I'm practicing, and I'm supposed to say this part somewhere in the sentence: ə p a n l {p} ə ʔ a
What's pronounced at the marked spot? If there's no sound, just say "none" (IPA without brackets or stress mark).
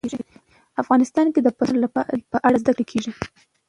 p